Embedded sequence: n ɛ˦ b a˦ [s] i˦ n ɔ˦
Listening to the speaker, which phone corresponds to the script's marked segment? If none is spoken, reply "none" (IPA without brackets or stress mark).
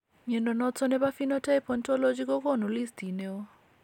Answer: f